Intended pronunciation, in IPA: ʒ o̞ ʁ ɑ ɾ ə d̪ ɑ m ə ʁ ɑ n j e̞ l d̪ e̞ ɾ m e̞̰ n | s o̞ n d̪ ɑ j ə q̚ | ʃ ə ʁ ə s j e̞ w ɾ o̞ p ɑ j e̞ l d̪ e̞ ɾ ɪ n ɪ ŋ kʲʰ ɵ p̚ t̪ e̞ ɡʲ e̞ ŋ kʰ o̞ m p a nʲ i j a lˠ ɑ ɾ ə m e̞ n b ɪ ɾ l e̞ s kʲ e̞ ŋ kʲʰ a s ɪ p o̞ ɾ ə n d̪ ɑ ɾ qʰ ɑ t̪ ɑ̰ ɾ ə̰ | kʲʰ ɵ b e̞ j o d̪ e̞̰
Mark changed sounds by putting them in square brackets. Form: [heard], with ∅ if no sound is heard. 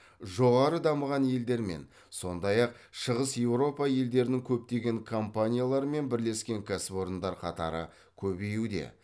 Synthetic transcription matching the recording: ʒ o̞ ʁ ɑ ɾ ə d̪ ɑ m ə ʁ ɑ n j e̞ l d̪ e̞ ɾ m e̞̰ n | s o̞ n d̪ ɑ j [ɑ] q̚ | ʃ ə ʁ ə s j e̞ w ɾ o̞ p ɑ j e̞ l d̪ e̞ ɾ ɪ n ɪ ŋ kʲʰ ɵ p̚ t̪ e̞ ɡʲ e̞ ŋ kʰ o̞ m p a nʲ i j a lˠ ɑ ɾ ə m e̞ n b ɪ ɾ l e̞ s kʲ e̞ ŋ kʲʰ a s ɪ p o̞ ɾ ə n d̪ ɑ ɾ qʰ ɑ t̪ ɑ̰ ɾ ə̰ | kʲʰ ɵ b e̞ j [u] d̪ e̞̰